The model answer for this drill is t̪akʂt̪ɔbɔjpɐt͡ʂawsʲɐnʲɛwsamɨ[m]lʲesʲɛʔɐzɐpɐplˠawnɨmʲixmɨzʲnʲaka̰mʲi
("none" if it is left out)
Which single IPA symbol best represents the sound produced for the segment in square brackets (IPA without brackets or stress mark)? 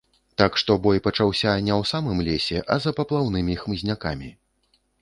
m